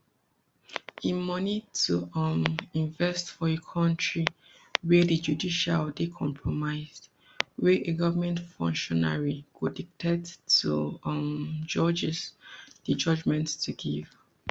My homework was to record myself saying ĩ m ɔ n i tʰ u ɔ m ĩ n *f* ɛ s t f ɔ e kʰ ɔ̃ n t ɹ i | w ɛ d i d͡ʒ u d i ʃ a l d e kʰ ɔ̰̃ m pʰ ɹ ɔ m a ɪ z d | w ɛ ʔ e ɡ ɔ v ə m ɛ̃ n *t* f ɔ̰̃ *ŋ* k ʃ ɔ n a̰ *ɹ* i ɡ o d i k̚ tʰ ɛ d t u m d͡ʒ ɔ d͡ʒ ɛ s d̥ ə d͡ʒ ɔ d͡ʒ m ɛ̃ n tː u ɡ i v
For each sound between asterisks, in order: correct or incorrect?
incorrect, correct, correct, correct

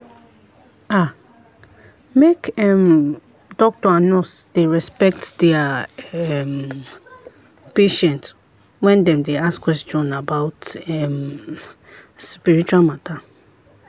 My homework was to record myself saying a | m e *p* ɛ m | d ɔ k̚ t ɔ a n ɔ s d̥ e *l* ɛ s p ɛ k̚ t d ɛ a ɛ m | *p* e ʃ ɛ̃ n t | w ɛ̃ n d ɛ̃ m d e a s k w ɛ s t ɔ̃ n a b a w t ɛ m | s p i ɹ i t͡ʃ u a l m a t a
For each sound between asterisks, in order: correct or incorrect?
incorrect, incorrect, correct

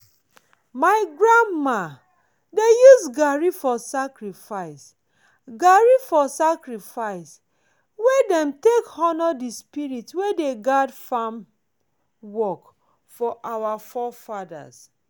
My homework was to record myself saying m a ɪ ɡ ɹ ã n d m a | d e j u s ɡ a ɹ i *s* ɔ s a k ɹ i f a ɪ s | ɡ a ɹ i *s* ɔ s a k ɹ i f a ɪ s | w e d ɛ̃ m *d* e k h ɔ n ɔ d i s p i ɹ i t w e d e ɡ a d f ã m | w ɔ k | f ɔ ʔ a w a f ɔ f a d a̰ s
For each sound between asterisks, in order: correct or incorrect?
incorrect, incorrect, incorrect

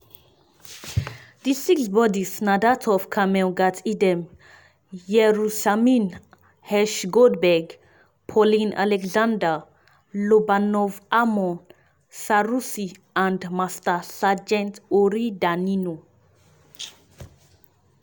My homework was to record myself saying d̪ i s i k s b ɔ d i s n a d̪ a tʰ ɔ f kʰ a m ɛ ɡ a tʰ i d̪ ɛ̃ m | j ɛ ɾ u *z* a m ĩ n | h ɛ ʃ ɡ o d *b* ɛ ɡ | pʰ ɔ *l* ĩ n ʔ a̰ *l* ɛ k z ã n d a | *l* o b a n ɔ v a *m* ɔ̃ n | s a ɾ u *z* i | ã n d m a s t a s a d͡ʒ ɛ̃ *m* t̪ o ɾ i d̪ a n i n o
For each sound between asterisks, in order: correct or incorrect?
incorrect, correct, correct, correct, correct, correct, incorrect, incorrect

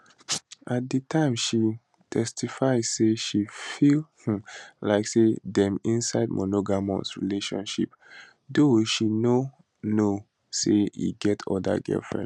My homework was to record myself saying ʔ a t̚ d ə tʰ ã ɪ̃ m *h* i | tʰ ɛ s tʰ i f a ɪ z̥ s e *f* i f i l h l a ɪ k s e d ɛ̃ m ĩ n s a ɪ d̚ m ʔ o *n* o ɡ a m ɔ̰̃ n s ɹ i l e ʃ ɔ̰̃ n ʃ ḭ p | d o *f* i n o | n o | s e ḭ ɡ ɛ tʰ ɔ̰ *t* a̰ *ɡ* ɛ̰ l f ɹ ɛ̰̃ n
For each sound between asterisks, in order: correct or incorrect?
incorrect, incorrect, correct, incorrect, incorrect, correct

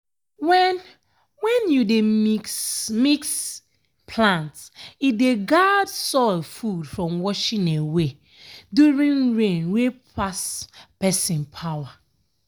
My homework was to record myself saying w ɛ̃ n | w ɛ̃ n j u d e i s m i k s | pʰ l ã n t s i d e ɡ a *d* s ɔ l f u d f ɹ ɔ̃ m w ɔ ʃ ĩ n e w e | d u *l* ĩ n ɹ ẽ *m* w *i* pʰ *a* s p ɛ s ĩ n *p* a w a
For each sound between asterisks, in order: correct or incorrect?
correct, incorrect, incorrect, incorrect, correct, incorrect

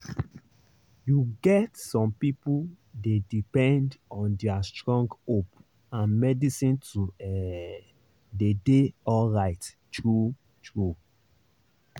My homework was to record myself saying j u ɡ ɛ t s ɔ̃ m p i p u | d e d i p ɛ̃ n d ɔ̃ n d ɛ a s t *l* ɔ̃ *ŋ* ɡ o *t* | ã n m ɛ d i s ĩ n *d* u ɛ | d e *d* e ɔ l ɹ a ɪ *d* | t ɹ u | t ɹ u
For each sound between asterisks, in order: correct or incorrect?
incorrect, correct, incorrect, incorrect, correct, incorrect

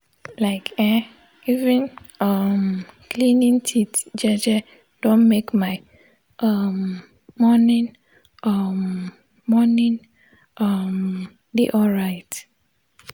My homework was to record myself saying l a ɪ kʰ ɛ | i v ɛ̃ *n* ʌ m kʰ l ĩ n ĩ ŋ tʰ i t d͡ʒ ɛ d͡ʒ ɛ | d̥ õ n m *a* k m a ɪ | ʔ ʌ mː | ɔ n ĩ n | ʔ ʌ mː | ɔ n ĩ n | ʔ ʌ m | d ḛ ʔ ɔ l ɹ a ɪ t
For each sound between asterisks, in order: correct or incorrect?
correct, incorrect

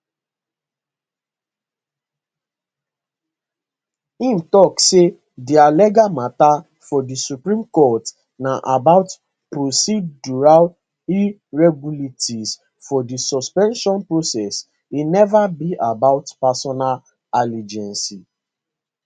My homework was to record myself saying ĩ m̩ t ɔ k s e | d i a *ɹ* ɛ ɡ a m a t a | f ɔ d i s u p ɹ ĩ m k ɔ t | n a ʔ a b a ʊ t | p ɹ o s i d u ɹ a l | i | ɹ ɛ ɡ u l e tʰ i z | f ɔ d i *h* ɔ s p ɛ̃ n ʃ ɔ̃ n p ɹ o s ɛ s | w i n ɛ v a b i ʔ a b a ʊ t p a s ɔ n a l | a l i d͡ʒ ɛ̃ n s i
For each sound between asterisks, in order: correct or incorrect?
incorrect, incorrect

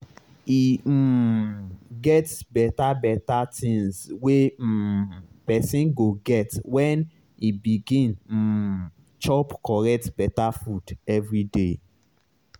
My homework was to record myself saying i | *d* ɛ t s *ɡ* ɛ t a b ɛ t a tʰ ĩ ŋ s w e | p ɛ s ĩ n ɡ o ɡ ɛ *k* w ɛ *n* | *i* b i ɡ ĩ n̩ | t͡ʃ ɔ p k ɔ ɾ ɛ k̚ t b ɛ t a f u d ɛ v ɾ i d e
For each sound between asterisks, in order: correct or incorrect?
incorrect, incorrect, incorrect, correct, correct

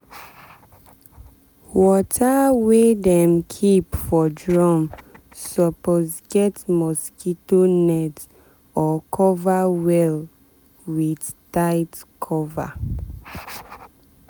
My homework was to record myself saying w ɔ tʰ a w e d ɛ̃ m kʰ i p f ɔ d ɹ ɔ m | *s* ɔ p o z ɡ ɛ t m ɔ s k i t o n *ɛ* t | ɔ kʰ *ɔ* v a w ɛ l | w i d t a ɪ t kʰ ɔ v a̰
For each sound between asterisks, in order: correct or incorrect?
correct, correct, correct

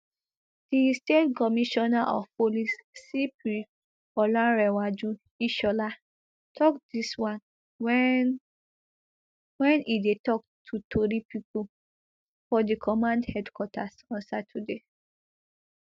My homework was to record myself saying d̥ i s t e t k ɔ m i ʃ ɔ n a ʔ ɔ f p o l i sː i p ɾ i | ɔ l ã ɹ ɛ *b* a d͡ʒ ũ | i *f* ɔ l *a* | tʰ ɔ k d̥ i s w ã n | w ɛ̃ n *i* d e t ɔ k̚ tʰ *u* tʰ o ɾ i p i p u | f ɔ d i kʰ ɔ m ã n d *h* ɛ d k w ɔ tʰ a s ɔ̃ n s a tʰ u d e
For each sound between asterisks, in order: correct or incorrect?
incorrect, incorrect, correct, correct, correct, correct

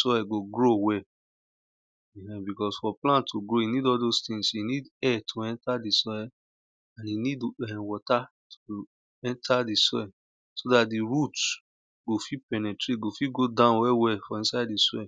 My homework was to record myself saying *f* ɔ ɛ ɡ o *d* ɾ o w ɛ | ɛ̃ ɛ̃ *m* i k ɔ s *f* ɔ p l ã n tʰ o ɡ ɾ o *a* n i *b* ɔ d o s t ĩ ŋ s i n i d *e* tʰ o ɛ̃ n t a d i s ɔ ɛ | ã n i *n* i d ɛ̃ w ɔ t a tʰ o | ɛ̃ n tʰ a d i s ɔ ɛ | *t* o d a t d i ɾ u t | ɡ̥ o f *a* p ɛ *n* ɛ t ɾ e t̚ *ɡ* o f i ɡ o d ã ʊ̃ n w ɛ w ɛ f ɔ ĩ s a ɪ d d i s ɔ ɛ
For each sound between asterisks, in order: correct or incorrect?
incorrect, incorrect, incorrect, correct, incorrect, incorrect, incorrect, correct, incorrect, incorrect, correct, correct

